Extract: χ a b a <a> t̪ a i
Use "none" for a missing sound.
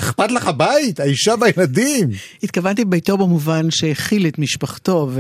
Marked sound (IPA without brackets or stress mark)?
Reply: i